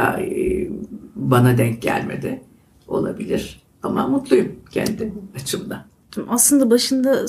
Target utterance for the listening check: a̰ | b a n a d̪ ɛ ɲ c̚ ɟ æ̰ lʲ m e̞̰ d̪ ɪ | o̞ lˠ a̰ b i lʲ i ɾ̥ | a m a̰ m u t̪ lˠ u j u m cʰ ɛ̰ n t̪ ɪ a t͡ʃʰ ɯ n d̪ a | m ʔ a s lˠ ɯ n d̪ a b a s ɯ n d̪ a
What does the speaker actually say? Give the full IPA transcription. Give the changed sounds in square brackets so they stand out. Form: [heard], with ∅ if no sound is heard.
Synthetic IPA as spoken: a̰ | b a n a d̪ ɛ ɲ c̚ ɟ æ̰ lʲ m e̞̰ d̪ ɪ | o̞ lˠ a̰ b i lʲ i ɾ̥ | a m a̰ m u t̪ lˠ u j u m cʰ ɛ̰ n [d̪] ɪ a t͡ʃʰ ɯ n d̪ a | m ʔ a s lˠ ɯ n d̪ a b a [ʃ] ɯ n d̪ a